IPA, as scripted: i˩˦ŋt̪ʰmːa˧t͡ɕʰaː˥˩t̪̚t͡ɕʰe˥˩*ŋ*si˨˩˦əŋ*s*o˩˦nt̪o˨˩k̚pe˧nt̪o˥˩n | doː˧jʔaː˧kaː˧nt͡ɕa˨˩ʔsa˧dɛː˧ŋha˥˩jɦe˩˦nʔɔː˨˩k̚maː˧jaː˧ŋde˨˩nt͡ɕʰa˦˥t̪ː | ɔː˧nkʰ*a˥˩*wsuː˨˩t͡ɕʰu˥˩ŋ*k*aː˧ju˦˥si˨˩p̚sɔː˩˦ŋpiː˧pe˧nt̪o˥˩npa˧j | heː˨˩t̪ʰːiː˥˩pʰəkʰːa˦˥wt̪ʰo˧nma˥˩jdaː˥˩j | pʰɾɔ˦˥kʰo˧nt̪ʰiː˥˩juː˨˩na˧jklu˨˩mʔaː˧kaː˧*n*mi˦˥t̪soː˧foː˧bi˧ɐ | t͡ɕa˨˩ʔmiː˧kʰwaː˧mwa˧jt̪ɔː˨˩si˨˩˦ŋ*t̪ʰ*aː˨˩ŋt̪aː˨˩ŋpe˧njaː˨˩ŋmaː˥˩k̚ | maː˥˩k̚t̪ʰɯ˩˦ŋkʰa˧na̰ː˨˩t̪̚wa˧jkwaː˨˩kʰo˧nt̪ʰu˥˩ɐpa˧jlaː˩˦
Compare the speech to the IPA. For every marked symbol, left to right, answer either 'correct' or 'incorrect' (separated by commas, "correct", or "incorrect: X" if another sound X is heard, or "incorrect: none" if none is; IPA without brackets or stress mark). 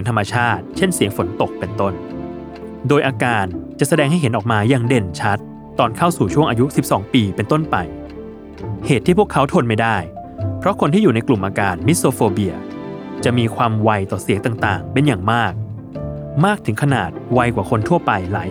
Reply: incorrect: n, incorrect: f, correct, incorrect: ʔ, correct, incorrect: t̪